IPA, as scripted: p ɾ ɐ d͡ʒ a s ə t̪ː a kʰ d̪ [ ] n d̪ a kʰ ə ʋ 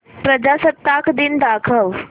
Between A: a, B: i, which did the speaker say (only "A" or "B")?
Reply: B